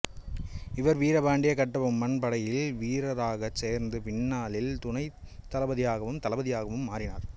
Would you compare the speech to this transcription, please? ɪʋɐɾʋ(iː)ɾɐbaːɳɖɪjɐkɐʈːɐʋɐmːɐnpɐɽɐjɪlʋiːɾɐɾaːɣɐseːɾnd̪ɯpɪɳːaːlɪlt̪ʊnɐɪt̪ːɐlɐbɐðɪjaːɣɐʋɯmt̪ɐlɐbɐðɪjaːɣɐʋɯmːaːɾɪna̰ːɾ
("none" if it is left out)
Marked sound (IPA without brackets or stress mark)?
iː